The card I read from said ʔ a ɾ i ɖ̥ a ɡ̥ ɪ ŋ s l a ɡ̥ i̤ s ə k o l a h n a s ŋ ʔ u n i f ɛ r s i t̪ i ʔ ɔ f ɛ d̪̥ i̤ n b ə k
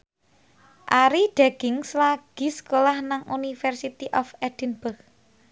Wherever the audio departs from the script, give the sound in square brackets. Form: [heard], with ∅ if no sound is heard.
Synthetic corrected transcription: ʔ a ɾ i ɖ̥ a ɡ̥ ɪ ŋ s l a ɡ̥ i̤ s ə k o l a h n a [∅] ŋ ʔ u n i f ɛ r s i t̪ i ʔ ɔ f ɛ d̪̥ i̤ n b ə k

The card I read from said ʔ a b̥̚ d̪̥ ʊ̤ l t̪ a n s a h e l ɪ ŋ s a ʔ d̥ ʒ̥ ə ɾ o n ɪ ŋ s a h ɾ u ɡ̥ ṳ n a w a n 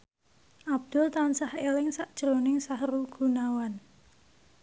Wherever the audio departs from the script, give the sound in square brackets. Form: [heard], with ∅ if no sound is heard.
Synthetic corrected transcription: ʔ a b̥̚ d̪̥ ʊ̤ l t̪ a n s a h e l ɪ ŋ s a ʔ d̥ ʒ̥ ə ɾ o n ɪ ŋ s a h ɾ u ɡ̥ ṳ n a w a n

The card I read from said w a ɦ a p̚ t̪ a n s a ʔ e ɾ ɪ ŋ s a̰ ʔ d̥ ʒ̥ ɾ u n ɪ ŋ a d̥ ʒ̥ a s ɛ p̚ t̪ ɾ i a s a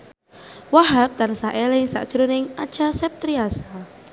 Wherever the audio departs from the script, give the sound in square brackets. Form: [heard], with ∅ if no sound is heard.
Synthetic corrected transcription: w a ɦ a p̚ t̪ a n s a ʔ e [l] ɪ ŋ s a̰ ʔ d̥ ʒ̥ ɾ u n ɪ ŋ a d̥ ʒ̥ a s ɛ p̚ t̪ ɾ i a s a

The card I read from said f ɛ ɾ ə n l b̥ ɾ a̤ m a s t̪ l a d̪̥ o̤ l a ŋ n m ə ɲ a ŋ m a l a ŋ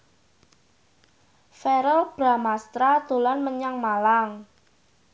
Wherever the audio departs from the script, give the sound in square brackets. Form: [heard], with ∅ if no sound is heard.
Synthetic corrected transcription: f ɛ ɾ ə [∅] l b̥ ɾ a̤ m a s t̪ [ɾ] a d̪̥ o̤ l a [∅] n m ə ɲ a ŋ m a l a ŋ

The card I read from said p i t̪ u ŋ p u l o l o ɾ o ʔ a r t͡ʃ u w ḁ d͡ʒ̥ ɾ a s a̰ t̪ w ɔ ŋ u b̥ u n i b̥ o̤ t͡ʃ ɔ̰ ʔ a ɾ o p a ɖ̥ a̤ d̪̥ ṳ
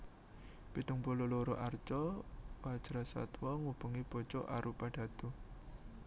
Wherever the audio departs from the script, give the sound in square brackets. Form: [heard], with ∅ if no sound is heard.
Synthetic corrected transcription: p i t̪ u ŋ p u l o l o ɾ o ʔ a r t͡ʃ [ɔ] w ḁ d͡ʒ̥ ɾ a s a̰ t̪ w ɔ ŋ u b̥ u [ŋ] i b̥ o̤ t͡ʃ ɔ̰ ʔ a ɾ [u] p a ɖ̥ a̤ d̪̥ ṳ

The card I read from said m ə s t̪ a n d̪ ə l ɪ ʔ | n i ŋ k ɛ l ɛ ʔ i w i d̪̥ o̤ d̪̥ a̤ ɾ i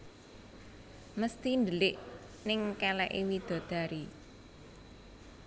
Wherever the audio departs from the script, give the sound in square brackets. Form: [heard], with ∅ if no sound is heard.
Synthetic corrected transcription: m ə s t̪ [i] n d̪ ə l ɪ ʔ | n [ɪ] ŋ k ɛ l ɛ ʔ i w i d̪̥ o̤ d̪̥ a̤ ɾ i

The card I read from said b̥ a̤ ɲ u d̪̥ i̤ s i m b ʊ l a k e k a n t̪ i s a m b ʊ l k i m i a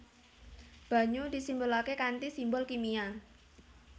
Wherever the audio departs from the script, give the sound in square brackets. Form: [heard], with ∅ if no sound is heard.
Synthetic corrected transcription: b̥ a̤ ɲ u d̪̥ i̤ s i m b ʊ l a k e k a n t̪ i s [i] m b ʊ l k i m i a

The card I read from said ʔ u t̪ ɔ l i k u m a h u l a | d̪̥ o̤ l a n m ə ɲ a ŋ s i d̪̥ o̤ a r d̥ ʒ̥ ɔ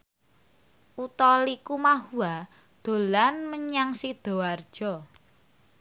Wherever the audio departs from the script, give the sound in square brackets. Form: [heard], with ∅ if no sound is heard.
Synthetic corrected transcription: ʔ u t̪ ɔ l i k u m a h u [∅] a | d̪̥ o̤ l a n m ə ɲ a ŋ s i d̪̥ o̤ a r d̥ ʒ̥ ɔ

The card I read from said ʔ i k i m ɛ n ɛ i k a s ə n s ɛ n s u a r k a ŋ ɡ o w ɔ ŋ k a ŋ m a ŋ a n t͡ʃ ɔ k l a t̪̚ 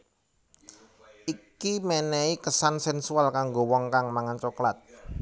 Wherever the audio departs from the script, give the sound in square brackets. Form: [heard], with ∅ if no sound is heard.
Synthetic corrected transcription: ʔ i k i m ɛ n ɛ i k [ə] s [a] n s ɛ n s u a [l] k a ŋ ɡ o w ɔ ŋ k a ŋ m a ŋ a n t͡ʃ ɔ k l a t̪̚

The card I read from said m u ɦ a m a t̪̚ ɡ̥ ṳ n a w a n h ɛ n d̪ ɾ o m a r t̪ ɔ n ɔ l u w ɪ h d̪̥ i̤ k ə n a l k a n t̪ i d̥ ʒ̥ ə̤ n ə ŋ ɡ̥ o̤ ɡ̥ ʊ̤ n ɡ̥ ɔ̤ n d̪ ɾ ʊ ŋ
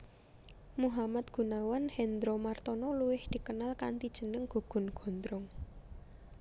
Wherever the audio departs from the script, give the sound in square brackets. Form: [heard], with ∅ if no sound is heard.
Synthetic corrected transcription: m u ɦ a m a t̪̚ ɡ̥ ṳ n a w a n h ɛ n d̪ ɾ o m a r t̪ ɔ n ɔ l u w ɪ h d̪̥ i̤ k ə n a l k a n t̪ i d̥ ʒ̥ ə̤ n ə ŋ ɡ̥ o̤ ɡ̥ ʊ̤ n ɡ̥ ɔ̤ n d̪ ɾ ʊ ŋ

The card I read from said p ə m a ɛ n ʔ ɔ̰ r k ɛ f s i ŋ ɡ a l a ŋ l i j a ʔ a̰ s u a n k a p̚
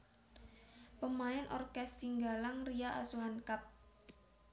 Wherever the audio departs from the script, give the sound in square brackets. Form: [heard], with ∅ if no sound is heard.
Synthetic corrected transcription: p ə m a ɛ n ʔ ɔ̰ r k ɛ [s] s i ŋ ɡ a l a ŋ [r] i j a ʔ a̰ s u a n k a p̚

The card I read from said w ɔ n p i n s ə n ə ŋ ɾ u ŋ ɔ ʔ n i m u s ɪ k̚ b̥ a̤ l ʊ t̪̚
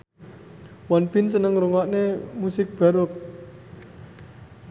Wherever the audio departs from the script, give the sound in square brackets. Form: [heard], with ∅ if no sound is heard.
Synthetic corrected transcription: w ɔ n p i n s ə n ə ŋ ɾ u ŋ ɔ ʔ n [e] m u s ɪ k̚ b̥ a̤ [ɾ] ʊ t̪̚

